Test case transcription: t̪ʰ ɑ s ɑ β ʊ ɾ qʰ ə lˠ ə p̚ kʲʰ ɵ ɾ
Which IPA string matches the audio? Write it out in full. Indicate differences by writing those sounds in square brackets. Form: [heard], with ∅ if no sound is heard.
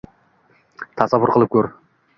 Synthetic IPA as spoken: t̪ʰ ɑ s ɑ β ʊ ɾ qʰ ə lˠ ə p̚ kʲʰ ɵ ɾ